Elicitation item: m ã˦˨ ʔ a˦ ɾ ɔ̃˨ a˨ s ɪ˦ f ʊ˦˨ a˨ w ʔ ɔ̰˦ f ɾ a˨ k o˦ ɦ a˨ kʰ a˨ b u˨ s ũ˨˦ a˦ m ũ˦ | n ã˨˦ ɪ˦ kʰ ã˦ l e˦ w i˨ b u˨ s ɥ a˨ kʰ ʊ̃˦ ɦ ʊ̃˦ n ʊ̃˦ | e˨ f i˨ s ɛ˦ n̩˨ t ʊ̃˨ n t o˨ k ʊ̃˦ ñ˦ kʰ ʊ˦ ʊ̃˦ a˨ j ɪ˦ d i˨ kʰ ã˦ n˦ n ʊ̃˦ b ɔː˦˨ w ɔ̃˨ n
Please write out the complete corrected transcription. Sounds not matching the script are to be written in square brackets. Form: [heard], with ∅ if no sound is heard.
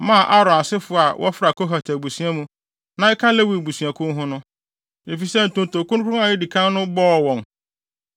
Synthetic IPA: m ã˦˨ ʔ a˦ ɾ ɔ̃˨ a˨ s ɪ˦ f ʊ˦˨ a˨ w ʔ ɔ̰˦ f ɾ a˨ k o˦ ɦ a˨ [tʰ] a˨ b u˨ s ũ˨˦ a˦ m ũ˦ | n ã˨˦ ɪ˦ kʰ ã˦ l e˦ w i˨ b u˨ s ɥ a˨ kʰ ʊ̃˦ ɦ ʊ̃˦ n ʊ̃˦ | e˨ f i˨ s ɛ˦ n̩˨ t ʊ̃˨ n t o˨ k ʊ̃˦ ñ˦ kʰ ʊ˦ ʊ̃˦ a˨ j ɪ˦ d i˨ kʰ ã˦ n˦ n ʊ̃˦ b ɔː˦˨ w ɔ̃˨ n